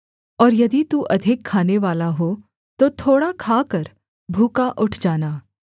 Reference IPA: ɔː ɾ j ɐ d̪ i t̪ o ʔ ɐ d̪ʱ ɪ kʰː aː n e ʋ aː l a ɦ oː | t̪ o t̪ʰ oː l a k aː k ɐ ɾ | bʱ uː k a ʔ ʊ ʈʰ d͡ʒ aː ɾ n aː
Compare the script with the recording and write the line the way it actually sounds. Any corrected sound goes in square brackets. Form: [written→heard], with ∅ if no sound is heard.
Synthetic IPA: ɔː ɾ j ɐ d̪ i t̪ [o→u] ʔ ɐ d̪ʱ ɪ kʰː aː n e ʋ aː l a ɦ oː | t̪ o t̪ʰ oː [l→ɽ] a [k→kʰ] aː k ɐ ɾ | bʱ uː k a ʔ ʊ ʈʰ d͡ʒ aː [ɾ→∅] n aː